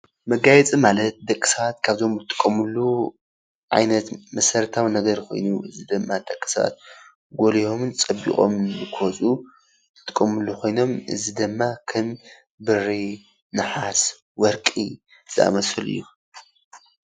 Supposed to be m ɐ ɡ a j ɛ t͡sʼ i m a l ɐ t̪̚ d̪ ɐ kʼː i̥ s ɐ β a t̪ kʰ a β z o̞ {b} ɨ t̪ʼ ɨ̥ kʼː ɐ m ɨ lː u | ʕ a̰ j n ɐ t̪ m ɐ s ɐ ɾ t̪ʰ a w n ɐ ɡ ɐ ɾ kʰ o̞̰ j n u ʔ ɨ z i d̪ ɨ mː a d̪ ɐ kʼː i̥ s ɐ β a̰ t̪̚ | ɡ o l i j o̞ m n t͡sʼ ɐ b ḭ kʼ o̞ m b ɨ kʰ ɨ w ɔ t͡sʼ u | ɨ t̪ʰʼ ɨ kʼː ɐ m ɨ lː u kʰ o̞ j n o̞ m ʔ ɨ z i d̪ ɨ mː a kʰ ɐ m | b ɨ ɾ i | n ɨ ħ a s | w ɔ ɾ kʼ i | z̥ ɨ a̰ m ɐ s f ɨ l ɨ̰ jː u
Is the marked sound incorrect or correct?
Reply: incorrect